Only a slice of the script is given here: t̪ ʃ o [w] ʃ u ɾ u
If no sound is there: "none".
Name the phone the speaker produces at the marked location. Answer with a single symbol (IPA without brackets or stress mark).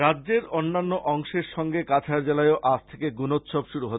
b